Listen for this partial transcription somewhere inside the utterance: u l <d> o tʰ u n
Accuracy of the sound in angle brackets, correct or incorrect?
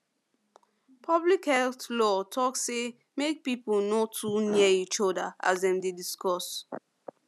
incorrect: n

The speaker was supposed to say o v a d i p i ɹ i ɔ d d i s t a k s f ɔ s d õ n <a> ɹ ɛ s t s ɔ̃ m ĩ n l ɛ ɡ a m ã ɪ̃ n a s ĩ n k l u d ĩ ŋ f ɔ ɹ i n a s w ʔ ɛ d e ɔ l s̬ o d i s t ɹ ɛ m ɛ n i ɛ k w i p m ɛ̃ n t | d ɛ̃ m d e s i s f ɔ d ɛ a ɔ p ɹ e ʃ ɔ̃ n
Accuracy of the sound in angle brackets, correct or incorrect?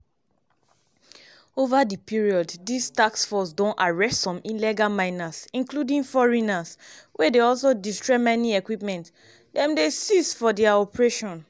correct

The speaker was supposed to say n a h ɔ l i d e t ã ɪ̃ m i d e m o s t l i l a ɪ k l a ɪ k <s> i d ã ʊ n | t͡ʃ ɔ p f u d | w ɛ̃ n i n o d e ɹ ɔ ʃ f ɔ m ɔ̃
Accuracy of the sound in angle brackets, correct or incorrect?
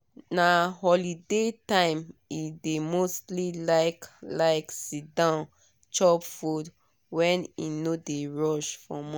correct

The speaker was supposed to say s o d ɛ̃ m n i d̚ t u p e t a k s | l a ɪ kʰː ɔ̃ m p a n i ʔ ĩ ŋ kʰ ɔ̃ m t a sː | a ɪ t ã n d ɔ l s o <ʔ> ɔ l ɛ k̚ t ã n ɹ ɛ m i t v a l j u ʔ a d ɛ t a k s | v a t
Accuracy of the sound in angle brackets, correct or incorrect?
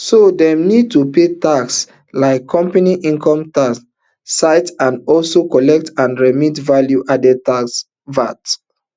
incorrect: k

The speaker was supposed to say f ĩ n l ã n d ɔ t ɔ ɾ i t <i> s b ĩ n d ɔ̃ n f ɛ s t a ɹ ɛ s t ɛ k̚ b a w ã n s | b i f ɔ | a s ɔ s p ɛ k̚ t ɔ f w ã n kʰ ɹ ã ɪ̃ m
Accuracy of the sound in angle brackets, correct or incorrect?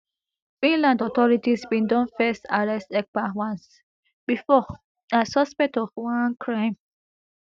correct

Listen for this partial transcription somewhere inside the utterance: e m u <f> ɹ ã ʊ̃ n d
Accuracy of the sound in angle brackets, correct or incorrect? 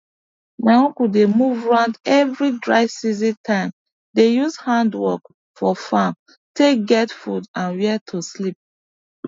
incorrect: v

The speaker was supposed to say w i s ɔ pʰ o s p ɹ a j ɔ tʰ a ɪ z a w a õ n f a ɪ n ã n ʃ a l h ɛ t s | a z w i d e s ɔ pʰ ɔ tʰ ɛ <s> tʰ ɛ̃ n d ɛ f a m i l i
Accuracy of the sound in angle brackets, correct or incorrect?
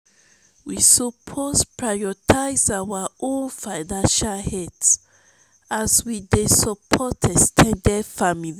correct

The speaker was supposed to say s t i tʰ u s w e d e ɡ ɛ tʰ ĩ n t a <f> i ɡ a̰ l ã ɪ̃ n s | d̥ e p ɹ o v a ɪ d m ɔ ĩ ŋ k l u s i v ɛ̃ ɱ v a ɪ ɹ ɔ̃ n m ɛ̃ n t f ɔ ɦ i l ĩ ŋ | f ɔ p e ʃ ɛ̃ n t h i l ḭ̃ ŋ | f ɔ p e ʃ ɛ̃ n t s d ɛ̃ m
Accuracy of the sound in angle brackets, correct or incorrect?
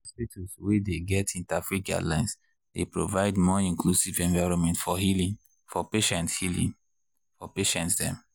correct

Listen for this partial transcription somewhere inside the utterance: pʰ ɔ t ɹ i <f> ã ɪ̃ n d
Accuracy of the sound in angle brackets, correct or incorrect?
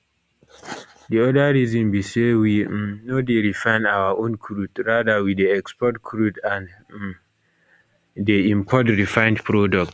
correct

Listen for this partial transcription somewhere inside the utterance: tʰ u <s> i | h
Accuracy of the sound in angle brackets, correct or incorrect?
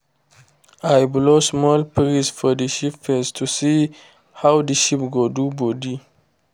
correct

